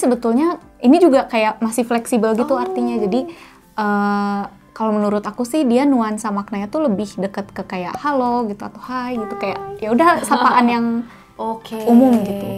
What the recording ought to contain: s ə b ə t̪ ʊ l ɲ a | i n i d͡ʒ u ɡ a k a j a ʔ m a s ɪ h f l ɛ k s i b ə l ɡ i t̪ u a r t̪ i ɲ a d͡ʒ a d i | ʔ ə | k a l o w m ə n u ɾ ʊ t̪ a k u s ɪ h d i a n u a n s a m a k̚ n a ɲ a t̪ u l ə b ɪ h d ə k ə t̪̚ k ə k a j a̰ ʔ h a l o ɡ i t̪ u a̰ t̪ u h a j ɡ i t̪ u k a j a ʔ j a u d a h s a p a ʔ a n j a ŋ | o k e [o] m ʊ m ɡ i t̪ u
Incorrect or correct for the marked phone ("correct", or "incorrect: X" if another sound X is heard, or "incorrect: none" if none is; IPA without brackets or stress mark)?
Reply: incorrect: u